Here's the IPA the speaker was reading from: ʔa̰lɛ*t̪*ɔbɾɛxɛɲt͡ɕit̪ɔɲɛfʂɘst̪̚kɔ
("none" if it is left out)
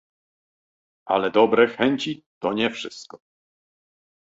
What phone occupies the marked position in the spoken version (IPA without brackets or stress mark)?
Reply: d̪